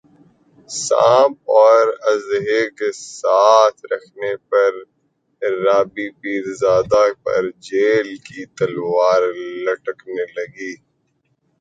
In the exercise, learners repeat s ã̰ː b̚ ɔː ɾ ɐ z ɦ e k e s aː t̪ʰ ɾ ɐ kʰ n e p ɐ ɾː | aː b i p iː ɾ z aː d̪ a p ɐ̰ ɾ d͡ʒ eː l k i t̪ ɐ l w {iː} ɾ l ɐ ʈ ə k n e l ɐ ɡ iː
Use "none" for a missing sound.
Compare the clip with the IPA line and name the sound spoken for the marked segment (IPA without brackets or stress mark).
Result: aː